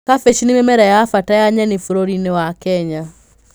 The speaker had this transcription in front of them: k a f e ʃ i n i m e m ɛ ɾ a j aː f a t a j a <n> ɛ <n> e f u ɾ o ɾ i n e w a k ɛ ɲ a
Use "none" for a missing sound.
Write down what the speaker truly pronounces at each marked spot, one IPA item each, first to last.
ɲ, n

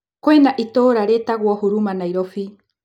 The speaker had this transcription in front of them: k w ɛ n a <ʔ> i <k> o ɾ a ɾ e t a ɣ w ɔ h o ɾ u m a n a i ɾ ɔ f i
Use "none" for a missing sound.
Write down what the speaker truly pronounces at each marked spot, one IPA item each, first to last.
ʔ, t

